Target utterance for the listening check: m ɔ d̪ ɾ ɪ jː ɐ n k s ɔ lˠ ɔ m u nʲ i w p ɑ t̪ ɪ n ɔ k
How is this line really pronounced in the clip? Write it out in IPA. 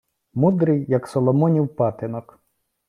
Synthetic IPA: m u d̪ ɾ ɪ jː ɐ k s ɔ lˠ ɔ m ɔ nʲ i w p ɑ t̪ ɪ n ɔ k